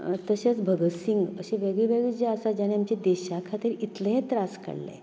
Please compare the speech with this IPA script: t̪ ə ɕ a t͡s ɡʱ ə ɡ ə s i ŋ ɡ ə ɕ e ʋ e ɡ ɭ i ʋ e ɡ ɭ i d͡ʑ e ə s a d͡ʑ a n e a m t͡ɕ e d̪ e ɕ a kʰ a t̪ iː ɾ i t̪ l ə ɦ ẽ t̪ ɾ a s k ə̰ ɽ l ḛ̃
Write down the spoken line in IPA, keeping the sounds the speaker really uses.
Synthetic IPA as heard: t̪ ə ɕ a t͡s bʱ ə ɡ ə s i ŋ ɡ ə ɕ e ʋ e ɡ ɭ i ʋ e ɡ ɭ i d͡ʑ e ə s a d͡ʑ a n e a m t͡ɕ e d̪ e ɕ a kʰ a t̪ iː ɾ i t̪ l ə ɦ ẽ t̪ ɾ a s k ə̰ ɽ l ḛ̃